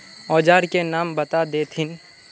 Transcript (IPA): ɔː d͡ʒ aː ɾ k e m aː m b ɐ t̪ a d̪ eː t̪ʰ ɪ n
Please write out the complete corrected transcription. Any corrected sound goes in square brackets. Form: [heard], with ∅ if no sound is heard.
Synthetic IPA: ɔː d͡ʒ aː ɾ k e [n] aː m b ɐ t̪ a d̪ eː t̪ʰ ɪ n